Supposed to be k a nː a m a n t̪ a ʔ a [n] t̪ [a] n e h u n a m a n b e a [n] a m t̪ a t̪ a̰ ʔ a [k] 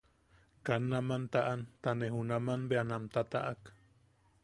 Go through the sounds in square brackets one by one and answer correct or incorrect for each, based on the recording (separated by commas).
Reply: correct, correct, correct, correct